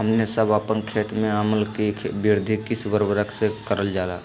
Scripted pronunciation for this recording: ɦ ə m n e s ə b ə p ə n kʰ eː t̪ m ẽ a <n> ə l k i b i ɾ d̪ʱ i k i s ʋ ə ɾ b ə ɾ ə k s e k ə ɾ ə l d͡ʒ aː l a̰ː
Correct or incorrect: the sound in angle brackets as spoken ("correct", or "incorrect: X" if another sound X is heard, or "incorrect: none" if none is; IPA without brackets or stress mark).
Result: incorrect: m